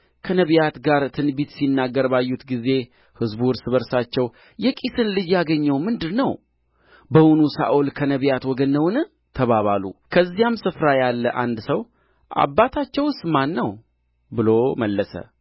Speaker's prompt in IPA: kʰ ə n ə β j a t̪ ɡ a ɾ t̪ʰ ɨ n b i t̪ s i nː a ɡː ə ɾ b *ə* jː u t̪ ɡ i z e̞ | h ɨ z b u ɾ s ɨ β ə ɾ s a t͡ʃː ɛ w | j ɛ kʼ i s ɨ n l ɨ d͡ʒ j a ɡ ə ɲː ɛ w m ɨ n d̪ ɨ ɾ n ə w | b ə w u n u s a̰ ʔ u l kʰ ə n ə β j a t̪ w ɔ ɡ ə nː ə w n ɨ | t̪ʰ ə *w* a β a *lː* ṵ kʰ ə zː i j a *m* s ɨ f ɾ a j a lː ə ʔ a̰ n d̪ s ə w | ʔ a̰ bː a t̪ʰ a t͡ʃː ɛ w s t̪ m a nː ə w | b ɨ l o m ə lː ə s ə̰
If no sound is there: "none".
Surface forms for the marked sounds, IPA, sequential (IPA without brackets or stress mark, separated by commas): a, β, l, m